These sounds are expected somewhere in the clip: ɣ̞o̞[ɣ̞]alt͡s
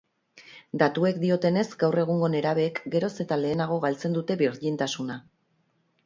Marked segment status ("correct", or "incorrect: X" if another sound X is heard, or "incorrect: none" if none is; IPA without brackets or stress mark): correct